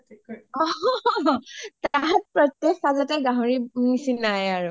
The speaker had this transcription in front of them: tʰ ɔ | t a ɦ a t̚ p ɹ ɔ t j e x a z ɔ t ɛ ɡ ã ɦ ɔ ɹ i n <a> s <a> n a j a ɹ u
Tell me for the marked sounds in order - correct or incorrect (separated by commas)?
incorrect, incorrect